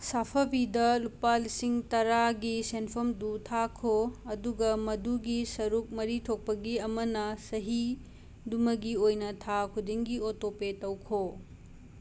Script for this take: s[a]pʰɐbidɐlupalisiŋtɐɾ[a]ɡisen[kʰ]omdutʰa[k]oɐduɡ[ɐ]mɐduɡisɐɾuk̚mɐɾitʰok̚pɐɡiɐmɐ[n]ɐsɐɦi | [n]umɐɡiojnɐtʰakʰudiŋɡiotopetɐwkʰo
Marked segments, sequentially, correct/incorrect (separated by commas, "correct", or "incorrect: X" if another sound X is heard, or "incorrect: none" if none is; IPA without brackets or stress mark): correct, correct, incorrect: pʰ, incorrect: kʰ, correct, correct, incorrect: d